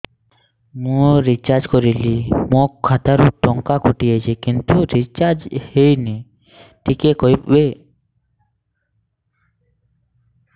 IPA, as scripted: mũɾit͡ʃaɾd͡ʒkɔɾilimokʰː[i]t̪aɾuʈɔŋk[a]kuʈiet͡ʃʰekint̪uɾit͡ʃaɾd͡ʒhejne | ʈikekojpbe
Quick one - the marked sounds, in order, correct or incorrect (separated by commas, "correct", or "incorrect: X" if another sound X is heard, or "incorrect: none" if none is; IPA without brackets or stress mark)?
incorrect: a, correct